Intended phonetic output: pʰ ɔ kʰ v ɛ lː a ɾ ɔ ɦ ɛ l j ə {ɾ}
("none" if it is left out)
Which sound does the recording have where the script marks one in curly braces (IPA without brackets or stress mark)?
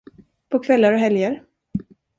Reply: ɾ